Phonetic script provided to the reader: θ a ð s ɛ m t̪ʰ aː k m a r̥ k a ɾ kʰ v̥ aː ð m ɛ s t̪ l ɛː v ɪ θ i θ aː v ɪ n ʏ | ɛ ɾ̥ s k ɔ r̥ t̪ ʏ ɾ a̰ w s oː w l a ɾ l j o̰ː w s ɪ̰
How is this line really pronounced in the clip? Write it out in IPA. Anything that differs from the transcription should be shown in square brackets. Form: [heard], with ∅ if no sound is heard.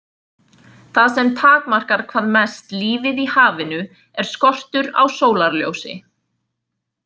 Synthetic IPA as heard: θ a ð s ɛ m t̪ʰ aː k m a r̥ k a ɾ kʰ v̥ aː ð m ɛ s t̪ l [iː] v ɪ [ð] i [h] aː v ɪ n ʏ | ɛ ɾ̥ s k ɔ r̥ t̪ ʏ ɾ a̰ w s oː w l a ɾ l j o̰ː w s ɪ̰